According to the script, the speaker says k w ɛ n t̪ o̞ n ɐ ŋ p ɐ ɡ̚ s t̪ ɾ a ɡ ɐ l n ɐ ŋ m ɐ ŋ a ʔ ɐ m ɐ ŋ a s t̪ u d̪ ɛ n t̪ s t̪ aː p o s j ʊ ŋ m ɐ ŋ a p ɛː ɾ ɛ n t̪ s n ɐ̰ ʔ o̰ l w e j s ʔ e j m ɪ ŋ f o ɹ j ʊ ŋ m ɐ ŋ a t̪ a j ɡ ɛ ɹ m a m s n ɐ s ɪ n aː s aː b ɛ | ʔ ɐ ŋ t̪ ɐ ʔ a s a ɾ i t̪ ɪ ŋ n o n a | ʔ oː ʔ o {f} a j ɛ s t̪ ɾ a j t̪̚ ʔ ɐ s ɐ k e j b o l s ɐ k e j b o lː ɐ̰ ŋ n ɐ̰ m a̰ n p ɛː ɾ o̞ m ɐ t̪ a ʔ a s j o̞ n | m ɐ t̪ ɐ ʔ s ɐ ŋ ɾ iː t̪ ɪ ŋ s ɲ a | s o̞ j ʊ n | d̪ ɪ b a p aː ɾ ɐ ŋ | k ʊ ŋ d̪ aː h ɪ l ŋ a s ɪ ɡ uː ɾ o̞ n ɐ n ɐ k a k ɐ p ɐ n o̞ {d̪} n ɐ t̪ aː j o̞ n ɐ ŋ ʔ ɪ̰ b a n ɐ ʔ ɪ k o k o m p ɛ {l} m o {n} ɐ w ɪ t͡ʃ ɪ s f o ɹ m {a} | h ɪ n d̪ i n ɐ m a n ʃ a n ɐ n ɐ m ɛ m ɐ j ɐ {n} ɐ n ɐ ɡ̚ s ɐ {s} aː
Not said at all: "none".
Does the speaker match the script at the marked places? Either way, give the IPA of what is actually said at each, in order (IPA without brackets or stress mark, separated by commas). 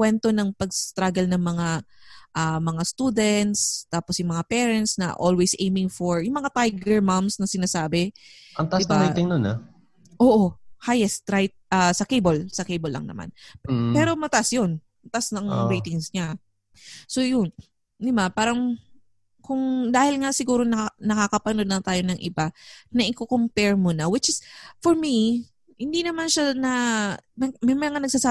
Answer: h, d̪, ɹ, n, i, ŋ, s